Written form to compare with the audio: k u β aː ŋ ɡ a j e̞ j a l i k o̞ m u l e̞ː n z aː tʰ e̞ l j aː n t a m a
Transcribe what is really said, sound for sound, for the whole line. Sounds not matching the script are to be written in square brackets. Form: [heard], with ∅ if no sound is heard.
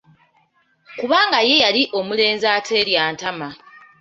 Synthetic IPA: k u β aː ŋ ɡ a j e̞ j a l i [ʔ] o̞ m u l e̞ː n z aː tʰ e̞ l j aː n t a m a